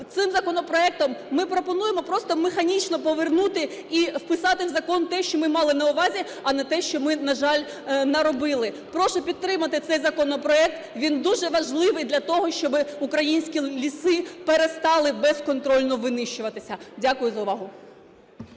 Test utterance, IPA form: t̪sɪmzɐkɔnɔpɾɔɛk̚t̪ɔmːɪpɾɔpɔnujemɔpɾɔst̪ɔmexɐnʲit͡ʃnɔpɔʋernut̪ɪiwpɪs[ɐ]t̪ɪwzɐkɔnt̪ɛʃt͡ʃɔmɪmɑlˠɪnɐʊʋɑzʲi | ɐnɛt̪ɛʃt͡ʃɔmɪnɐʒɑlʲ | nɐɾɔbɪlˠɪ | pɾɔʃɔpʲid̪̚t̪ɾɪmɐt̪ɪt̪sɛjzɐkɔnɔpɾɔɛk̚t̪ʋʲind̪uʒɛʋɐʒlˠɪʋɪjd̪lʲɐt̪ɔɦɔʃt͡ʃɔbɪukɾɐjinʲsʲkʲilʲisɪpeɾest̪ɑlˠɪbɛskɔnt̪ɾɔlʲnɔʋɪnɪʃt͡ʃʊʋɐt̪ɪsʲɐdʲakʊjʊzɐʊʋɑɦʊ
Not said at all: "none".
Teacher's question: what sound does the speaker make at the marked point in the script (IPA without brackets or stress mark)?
ɑ